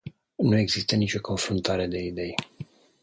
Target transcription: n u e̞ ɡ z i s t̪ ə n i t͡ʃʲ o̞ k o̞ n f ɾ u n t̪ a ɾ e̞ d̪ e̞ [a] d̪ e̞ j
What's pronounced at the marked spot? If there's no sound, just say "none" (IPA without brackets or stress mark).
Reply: i